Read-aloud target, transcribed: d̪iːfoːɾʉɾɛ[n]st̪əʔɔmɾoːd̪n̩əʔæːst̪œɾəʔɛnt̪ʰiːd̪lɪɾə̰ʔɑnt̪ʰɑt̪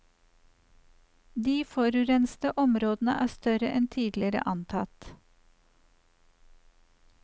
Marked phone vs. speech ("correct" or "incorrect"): correct